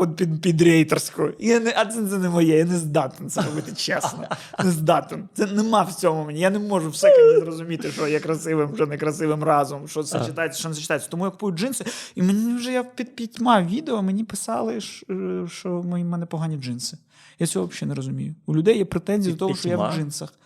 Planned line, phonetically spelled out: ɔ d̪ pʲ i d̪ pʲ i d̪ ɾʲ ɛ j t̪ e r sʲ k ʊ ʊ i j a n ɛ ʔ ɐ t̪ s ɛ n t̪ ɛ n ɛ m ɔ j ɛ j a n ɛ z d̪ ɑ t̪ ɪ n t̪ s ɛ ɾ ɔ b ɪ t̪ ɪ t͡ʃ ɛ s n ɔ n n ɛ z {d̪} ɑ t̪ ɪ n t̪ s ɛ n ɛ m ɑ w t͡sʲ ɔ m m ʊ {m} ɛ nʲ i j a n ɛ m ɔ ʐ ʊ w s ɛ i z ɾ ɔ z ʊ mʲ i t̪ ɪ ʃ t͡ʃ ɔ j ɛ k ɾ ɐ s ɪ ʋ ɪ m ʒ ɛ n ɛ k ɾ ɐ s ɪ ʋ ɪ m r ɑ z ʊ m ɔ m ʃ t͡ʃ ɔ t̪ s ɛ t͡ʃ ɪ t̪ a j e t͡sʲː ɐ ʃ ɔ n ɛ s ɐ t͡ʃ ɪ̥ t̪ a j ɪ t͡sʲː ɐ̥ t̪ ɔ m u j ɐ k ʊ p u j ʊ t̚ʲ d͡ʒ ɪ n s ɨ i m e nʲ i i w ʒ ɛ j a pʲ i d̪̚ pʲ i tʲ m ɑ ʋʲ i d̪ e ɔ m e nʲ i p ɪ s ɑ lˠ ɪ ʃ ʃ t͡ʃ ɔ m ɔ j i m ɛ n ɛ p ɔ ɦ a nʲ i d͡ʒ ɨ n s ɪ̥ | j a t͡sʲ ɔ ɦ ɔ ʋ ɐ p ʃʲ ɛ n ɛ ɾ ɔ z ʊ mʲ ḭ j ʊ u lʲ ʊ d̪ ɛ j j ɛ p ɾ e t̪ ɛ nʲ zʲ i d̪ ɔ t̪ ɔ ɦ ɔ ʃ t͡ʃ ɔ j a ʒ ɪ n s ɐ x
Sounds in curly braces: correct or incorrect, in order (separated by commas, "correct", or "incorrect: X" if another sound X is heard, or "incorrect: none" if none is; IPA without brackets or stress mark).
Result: correct, correct